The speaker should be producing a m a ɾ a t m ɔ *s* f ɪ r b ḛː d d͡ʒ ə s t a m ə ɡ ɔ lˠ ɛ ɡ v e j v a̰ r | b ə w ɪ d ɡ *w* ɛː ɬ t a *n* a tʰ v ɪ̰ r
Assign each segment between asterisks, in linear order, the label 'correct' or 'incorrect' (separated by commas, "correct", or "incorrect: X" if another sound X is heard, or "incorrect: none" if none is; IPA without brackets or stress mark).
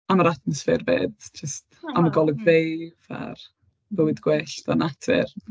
correct, correct, correct